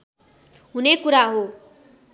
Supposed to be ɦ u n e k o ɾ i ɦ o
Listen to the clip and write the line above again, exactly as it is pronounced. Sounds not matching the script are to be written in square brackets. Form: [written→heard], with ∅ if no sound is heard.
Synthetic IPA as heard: ɦ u n e k [o→u] ɾ [i→a] ɦ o